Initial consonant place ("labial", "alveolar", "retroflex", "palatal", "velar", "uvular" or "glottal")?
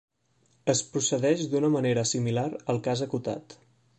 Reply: alveolar